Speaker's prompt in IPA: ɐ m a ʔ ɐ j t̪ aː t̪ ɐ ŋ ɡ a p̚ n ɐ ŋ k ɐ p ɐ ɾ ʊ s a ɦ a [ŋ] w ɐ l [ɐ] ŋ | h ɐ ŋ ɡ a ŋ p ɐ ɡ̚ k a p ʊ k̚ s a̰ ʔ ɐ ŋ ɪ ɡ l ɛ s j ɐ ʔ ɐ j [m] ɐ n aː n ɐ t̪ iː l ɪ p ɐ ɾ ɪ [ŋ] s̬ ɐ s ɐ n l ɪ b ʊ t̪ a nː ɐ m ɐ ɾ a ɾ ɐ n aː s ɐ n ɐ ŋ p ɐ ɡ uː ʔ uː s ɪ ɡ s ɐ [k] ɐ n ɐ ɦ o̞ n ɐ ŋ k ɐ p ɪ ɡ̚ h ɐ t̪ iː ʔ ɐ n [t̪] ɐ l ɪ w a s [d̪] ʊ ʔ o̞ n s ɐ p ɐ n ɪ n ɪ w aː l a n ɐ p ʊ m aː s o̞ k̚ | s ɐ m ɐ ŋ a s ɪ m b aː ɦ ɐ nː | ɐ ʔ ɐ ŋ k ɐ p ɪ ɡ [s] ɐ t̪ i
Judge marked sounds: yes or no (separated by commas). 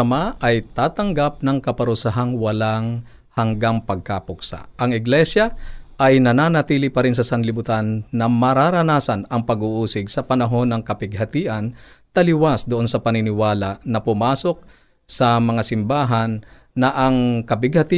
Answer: yes, no, no, no, no, yes, yes, no